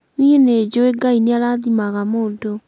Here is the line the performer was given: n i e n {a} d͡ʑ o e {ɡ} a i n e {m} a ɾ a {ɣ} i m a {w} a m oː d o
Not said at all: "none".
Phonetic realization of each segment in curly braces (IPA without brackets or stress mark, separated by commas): e, ɡ, none, ð, ɣ